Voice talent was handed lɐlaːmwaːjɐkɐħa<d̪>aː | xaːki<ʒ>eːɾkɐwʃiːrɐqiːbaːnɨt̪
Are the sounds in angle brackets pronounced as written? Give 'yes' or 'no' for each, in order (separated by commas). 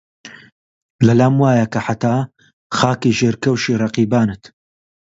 no, yes